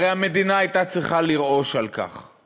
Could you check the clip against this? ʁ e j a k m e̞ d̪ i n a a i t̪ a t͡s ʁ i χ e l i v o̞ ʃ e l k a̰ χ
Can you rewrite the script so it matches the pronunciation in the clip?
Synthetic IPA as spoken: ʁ e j a m e̞ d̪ i n a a j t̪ a t͡s ʁ i χ a l i ʁ o̞ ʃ a l k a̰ χ